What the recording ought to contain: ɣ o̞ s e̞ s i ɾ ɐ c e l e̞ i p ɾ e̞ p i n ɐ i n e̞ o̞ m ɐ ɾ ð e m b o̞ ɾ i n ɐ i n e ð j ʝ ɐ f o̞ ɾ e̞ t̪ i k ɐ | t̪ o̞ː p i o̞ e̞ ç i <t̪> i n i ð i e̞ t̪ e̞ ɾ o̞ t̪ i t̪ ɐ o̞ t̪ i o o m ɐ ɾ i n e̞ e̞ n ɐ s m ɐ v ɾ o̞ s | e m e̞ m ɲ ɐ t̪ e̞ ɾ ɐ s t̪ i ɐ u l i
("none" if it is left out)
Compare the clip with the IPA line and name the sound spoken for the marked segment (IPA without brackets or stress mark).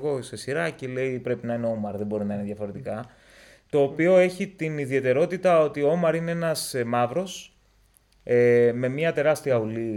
t̪